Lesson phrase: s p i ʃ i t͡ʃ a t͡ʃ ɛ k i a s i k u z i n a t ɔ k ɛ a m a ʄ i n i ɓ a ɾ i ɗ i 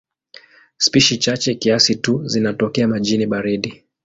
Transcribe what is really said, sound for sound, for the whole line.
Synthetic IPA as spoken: s p i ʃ i t͡ʃ a t͡ʃ ɛ k i a s i t u z i n a t ɔ k ɛ a m a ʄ i n i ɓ a ɾ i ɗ i

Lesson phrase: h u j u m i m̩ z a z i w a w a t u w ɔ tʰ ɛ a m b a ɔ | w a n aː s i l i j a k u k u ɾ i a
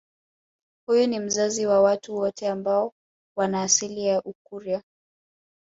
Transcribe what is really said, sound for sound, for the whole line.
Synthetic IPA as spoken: h u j u n i m̩ z a z i w a w a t u w ɔ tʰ ɛ a m b a ɔ | w a n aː s i l i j a ʔ u k u ɾ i a

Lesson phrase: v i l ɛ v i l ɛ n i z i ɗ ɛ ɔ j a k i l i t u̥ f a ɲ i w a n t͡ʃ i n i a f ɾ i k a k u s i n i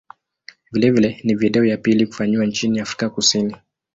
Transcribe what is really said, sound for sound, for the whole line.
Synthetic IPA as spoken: v i l ɛ v i l ɛ n i v i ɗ ɛ ɔ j a p i l i k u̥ f a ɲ i w a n t͡ʃ i n i a f ɾ i k a k u s i n i

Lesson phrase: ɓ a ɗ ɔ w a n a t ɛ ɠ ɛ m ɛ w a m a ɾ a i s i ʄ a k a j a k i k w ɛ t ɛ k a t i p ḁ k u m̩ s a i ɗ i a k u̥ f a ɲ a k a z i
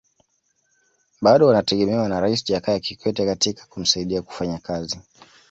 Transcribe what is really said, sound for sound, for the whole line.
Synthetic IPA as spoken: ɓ a ɗ ɔ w a n a t ɛ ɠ ɛ m ɛ w a n a ɾ a i s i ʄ a k a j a k i k w ɛ t ɛ k a t i k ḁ k u m̩ s a i ɗ i a k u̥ f a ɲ a k a z i

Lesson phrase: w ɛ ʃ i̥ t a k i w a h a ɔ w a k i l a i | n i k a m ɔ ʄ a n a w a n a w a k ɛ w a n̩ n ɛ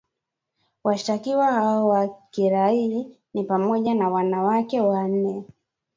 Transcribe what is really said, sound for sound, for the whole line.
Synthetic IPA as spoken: w a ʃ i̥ t a k i w a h a ɔ w a k i ɾ a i | n i p a m ɔ ʄ a n a w a n a w a k ɛ w a n̩ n ɛ

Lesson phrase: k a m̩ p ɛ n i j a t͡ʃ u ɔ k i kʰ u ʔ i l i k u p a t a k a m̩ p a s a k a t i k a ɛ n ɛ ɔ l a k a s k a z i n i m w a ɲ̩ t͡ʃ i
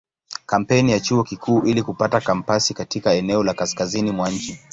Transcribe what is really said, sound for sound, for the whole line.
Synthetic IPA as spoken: k a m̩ p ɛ n i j a t͡ʃ u ɔ k i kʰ uː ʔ i l i k u p a t a k a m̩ p a s i k a t i k a ɛ n ɛ ɔ l a k a s k a z i n i m w a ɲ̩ t͡ʃ i

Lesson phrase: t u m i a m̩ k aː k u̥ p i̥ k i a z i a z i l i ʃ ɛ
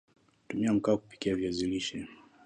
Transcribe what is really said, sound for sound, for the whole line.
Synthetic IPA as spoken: t u m i a m̩ k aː k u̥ p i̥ k i a v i a z i l i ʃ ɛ

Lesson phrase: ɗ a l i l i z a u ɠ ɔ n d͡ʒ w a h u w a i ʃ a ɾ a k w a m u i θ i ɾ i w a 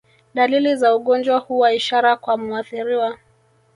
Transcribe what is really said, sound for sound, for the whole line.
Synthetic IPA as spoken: ɗ a l i l i z a u ɠ ɔ n d͡ʒ w a h u w a i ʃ a ɾ a k w a m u a θ i ɾ i w a

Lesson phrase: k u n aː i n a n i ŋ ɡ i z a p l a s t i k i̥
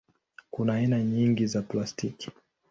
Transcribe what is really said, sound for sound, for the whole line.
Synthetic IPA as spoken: k u n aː i n a ɲ i ŋ ɡ i z a p l a s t i k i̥

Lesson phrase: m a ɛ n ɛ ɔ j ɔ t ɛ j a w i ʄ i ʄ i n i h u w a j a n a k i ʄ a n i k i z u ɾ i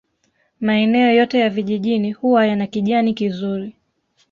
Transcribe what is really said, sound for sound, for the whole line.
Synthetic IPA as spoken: m a ɛ n ɛ ɔ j ɔ t ɛ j a v i ʄ i ʄ i n i h u w a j a n a k i ʄ a n i k i z u ɾ i

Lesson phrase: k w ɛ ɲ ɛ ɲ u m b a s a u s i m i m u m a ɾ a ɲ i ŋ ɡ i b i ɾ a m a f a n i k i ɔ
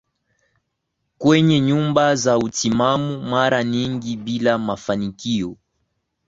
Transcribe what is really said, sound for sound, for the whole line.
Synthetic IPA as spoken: k w ɛ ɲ ɛ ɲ u m b a z a u t i m a m u m a ɾ a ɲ i ŋ ɡ i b i l a m a f a n i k i ɔ

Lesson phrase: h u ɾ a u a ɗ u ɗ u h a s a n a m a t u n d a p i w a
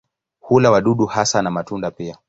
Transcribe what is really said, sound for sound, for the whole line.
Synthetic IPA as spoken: h u l a w a ɗ u ɗ u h a s a n a m a t u n d a p i a

